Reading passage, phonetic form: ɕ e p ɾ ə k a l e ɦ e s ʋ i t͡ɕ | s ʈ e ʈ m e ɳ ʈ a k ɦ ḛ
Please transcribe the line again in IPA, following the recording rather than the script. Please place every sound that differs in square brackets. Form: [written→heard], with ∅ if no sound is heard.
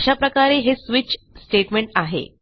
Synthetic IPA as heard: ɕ [e→a] p ɾ ə k a [l→ɾ] e ɦ e s ʋ i t͡ɕ | s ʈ e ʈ m e ɳ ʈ a [k→∅] ɦ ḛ